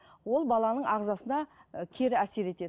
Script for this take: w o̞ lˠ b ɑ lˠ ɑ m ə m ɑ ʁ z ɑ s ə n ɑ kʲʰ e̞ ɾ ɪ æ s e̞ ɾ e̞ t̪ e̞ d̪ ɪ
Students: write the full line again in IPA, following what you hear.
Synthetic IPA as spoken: w o̞ lˠ b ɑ lˠ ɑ n ə ɴ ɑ ʁ z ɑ s ə n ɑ kʲʰ e̞ ɾ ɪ æ s e̞ ɾ e̞ t̪ e̞ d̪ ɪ